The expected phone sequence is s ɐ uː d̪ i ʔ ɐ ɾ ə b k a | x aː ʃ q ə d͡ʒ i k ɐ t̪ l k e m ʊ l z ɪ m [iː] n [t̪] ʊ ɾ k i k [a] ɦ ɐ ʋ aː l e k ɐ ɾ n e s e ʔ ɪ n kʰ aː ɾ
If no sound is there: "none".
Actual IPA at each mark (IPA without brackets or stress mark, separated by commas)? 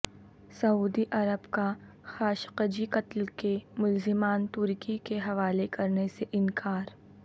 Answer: aː, t̪, e